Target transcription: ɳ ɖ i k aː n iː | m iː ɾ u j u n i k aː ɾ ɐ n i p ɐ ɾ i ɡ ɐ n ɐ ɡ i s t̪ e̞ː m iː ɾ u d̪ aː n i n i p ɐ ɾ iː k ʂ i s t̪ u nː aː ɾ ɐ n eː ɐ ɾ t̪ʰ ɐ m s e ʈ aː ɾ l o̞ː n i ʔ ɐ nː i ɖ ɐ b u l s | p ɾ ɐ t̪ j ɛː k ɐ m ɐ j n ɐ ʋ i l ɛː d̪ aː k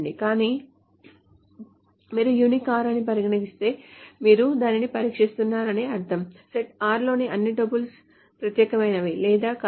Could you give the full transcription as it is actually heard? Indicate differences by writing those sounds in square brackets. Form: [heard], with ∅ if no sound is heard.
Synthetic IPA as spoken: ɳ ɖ i k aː n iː | m iː ɾ u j u n i k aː ɾ ɐ n i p ɐ ɾ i ɡ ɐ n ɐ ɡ i s t̪ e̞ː m iː ɾ u d̪ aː n i n i p ɐ ɾ iː k ʂ i s t̪ u nː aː ɾ ɐ n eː ɐ ɾ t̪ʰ ɐ m s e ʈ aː ɾ l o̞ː n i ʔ ɐ nː i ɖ ɐ b u l s | p ɾ ɐ t̪ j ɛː k ɐ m ɐ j n ɐ ʋ i l ɛː d̪ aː k